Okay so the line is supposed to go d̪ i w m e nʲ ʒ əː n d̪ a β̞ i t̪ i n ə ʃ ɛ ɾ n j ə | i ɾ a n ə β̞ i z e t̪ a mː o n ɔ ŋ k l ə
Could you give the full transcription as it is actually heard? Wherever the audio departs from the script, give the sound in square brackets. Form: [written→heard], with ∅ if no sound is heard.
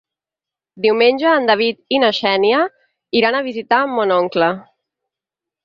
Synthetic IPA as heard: d̪ i w m e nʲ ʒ əː n d̪ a β̞ i t̪ i n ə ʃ ɛ [ɾ→∅] n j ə | i ɾ a n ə β̞ i z [e→i] t̪ a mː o n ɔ ŋ k l ə